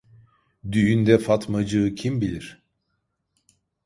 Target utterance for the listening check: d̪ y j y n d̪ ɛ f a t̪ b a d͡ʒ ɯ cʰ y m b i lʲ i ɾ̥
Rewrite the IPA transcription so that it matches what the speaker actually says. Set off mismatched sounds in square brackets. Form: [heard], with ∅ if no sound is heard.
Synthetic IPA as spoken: d̪ y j y n d̪ ɛ f a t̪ [m] a d͡ʒ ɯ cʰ [i] m b i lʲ i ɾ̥